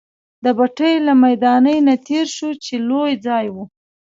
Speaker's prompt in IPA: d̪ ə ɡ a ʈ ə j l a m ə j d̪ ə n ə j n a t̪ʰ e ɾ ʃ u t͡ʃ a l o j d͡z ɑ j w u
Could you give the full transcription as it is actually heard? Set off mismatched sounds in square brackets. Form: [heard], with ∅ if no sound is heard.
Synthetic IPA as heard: d̪ ə [b] a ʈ ə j l a m [a] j d̪ [ɑ] n ə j n a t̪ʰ e ɾ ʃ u t͡ʃ [e] l o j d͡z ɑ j w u